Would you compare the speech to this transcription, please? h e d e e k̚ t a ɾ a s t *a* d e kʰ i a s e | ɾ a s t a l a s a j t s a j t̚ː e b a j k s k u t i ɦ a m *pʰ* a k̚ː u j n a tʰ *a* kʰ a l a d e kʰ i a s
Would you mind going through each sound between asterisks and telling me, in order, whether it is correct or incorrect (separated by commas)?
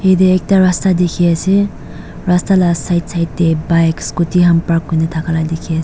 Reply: correct, incorrect, correct